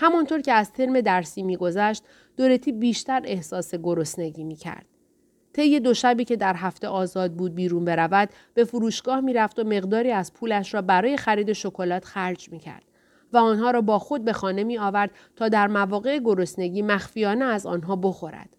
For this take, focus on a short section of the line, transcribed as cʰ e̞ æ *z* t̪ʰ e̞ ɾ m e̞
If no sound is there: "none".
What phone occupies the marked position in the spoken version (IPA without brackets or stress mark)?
z